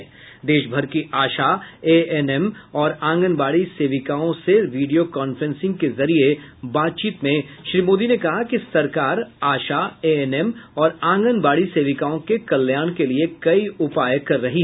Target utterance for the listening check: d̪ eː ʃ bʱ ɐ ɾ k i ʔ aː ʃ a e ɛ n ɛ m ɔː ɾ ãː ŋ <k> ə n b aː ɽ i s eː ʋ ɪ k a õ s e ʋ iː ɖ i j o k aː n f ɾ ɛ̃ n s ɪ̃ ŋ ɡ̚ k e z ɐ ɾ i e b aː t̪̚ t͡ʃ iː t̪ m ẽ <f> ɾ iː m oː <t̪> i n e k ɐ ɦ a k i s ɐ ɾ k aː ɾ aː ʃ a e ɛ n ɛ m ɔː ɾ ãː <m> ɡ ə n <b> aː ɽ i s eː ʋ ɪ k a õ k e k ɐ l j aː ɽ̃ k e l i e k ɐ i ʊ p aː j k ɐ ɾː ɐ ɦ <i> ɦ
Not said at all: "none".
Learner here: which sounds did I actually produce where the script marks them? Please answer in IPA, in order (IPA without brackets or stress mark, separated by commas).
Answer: ɡ, ʃ, d̪, ŋ, b, i